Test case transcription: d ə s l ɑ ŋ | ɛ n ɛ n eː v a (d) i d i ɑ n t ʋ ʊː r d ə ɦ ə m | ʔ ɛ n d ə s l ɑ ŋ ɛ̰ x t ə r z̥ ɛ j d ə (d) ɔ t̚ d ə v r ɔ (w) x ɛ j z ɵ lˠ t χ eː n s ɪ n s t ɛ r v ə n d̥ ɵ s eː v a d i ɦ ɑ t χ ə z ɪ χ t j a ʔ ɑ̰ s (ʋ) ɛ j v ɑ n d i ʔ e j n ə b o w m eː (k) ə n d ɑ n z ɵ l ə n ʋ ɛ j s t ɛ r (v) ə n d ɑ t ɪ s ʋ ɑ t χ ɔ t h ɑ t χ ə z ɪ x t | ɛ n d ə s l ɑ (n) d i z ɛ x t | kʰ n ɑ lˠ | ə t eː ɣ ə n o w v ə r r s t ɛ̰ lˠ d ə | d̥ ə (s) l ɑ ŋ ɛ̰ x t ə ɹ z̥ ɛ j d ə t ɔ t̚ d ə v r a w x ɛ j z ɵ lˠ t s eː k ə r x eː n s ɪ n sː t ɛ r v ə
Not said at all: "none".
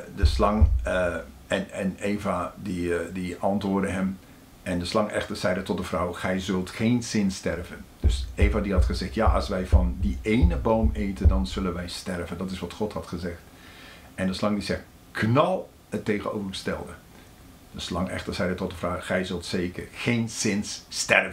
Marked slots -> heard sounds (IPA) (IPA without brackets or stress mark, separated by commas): d, t, w, ʋ, t, v, ŋ, s